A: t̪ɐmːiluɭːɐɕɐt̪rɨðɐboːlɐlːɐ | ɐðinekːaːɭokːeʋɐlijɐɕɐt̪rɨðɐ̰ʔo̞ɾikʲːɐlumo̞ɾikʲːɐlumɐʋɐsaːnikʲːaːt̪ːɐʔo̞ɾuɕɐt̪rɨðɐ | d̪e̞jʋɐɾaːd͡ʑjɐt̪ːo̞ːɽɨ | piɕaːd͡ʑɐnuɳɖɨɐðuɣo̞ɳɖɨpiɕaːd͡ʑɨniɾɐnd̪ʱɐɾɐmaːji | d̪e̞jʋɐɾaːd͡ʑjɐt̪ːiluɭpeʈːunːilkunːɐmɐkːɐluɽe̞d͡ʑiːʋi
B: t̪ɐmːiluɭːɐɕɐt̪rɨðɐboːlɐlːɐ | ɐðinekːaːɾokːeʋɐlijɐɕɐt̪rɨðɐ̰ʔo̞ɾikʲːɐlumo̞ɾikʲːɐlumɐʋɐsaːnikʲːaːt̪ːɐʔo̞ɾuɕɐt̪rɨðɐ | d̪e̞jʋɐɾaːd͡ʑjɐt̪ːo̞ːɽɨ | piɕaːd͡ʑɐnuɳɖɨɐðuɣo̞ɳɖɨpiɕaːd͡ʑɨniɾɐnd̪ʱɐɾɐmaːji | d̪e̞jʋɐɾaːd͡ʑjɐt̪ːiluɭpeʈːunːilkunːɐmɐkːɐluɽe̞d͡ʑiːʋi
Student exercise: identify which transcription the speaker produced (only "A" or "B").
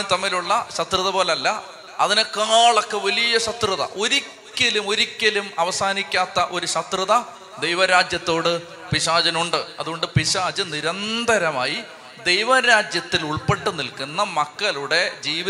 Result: A